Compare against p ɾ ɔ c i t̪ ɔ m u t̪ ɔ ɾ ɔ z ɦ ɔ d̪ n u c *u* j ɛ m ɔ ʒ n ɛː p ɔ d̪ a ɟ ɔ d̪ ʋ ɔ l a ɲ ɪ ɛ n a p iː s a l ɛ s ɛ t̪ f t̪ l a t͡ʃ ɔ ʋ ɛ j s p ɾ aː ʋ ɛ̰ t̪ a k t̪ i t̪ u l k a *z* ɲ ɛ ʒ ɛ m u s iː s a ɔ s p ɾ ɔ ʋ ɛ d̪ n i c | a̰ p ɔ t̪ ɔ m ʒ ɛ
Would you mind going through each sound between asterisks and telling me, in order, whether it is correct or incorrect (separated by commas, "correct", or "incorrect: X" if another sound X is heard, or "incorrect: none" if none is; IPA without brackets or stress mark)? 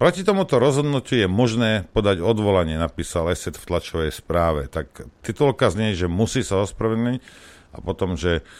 correct, correct